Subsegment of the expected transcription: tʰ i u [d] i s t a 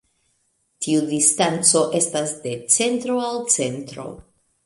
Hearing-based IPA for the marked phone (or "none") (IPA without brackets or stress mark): d